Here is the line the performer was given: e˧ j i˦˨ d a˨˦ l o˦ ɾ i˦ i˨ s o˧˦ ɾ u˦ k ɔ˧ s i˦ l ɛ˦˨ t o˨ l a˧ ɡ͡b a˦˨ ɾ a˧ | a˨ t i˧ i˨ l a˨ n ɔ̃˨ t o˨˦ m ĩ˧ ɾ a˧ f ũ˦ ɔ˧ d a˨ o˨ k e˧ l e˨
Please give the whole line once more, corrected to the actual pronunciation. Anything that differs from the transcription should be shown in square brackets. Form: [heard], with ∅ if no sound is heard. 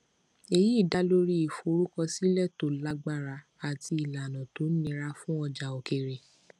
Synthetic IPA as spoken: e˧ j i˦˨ d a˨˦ l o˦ ɾ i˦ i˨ [f] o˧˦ ɾ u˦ k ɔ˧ s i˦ l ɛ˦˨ t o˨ l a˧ ɡ͡b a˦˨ ɾ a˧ | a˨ t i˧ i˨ l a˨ n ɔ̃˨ t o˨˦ [n] ĩ˧ ɾ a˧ f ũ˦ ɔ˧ [d͡ʒ] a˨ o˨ k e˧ [ɾ] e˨

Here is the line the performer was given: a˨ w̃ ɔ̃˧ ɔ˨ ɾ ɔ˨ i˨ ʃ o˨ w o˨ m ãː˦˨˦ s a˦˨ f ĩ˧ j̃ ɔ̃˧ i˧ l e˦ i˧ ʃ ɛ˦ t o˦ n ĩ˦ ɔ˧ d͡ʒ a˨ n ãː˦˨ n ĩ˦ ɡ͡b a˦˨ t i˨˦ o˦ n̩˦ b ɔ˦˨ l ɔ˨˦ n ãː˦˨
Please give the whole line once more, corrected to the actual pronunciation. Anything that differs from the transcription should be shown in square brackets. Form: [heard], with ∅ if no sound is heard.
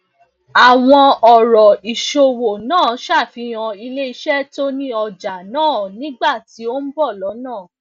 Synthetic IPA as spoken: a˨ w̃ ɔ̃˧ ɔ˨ ɾ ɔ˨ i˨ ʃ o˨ w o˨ [n] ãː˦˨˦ [ʃ] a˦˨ f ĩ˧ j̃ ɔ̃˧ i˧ l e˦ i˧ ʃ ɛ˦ t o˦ n ĩ˦ ɔ˧ d͡ʒ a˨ n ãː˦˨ n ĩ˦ ɡ͡b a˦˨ t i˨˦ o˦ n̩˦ b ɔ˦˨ l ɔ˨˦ n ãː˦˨

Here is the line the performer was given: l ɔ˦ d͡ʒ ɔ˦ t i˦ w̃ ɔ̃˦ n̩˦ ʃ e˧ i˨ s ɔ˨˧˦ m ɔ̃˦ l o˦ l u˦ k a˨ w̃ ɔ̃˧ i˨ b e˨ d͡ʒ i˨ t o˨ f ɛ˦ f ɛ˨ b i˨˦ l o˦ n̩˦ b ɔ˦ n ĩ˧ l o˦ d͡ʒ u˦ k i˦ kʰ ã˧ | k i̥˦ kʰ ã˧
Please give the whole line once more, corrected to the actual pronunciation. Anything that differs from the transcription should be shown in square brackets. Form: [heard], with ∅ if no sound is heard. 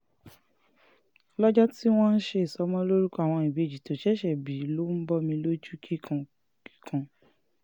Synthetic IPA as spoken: l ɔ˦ d͡ʒ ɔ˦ t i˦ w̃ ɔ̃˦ n̩˦ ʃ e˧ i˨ s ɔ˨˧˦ m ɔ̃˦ l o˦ [ɾ] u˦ k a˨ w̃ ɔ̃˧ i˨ b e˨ d͡ʒ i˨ t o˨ [ʃ] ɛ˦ [ʃ] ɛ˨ b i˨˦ l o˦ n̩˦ b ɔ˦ [m] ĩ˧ l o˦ d͡ʒ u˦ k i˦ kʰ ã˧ | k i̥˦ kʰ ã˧

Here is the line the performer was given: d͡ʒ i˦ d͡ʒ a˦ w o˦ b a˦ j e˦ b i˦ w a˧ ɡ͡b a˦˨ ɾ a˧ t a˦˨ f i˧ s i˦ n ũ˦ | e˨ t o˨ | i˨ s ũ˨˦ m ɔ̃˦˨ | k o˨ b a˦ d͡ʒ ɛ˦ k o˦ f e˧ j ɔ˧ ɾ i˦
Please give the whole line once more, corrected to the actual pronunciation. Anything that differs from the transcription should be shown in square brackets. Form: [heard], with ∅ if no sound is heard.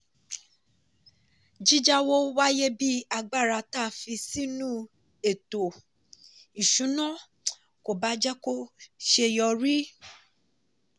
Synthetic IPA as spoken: d͡ʒ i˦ d͡ʒ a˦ w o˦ [w] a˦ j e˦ b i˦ [∅] a˧ ɡ͡b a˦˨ ɾ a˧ t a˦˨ f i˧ s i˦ n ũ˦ | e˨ t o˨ | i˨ [ʃ] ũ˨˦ [n] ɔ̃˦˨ | k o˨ b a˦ d͡ʒ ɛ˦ k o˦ [ʃ] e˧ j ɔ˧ ɾ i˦

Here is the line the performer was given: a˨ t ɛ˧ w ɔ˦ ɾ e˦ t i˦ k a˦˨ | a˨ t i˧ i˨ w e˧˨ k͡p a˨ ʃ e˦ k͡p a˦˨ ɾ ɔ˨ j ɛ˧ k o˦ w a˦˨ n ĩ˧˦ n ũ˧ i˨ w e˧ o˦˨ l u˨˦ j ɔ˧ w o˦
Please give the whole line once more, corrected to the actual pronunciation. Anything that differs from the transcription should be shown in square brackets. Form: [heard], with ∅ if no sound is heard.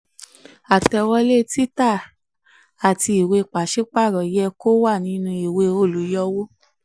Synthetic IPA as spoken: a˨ t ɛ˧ w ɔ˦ [l] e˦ t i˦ [t] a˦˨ | a˨ t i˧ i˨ w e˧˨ k͡p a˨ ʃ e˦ k͡p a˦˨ ɾ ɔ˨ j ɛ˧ k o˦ w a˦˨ n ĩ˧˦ n ũ˧ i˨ w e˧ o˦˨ l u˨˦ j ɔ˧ w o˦

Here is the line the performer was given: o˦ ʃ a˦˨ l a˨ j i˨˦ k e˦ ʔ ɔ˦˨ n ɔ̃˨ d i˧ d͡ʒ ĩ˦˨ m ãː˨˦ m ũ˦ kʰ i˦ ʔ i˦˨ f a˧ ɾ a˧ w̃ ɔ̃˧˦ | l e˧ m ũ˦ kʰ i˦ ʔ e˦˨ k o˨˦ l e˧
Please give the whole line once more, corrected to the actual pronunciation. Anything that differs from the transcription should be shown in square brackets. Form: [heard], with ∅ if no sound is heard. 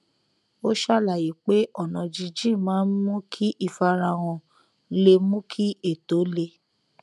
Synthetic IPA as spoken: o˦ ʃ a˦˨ l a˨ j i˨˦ [k͡p] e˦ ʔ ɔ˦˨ n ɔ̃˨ [d͡ʒ] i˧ d͡ʒ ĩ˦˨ m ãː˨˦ m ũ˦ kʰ i˦ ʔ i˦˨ f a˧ ɾ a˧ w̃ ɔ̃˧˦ | l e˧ m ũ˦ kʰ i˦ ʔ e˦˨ [t] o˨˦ l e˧

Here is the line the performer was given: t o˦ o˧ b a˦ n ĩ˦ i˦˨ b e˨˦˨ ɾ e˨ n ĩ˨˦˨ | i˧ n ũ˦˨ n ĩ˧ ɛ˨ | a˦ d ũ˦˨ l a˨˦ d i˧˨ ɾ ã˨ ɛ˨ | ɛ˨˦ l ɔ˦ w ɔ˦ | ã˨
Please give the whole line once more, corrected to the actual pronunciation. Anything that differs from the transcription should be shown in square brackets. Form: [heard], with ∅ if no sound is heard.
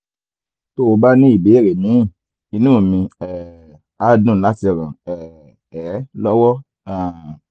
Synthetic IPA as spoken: t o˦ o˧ b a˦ n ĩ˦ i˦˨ b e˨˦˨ ɾ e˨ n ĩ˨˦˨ | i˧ n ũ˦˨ [m] ĩ˧ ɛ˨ | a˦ d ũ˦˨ l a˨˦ [t] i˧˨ ɾ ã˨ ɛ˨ | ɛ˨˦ l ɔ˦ w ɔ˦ | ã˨

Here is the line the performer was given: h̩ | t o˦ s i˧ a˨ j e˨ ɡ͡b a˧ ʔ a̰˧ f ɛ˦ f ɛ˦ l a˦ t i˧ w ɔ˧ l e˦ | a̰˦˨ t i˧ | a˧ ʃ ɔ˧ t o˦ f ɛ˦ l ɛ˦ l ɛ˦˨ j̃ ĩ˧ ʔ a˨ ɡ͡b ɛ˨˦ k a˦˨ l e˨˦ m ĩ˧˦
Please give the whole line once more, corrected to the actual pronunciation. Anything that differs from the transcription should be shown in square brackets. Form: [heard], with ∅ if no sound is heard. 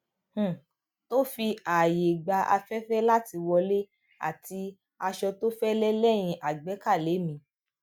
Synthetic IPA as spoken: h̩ | t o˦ [f] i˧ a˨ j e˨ ɡ͡b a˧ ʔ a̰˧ f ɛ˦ f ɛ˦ l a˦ t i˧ w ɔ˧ l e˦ | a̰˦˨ t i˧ | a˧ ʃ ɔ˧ t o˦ f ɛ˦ l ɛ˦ l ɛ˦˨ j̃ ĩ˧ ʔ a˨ ɡ͡b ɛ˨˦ k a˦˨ l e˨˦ m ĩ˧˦

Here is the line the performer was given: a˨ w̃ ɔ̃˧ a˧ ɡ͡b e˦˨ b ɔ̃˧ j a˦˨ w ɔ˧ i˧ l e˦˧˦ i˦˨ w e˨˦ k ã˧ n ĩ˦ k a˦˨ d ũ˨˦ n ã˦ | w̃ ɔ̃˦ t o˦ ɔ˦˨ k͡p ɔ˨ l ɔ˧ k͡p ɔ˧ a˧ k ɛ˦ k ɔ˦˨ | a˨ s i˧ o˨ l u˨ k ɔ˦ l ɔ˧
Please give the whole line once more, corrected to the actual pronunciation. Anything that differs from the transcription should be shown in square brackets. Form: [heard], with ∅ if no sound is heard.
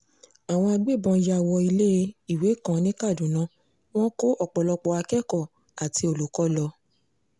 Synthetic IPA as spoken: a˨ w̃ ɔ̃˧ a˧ ɡ͡b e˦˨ b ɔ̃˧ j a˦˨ w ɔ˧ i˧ l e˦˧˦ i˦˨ w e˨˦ k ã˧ n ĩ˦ k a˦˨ d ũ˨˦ n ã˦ | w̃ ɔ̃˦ [k] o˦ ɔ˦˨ k͡p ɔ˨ l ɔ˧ k͡p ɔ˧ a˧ k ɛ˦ k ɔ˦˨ | a˨ [t] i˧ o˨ l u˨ k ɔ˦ l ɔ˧

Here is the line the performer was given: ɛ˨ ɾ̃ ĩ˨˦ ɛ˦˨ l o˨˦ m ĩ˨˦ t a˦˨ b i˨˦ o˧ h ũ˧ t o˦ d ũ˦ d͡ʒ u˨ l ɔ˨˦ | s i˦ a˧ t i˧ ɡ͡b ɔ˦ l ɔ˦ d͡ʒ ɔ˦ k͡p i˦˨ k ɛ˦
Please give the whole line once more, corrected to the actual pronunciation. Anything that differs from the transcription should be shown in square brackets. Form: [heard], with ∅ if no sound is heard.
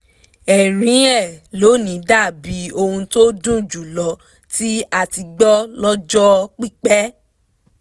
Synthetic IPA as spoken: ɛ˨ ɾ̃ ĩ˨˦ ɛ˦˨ l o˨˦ [n] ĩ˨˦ [d] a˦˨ b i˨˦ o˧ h ũ˧ t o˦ d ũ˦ d͡ʒ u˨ l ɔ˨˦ | [t] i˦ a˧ t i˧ ɡ͡b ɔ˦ l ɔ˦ d͡ʒ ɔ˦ k͡p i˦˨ [k͡p] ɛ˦

